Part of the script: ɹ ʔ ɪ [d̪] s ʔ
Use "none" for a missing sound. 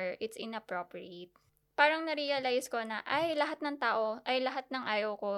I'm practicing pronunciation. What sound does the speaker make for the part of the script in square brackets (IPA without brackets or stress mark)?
t̪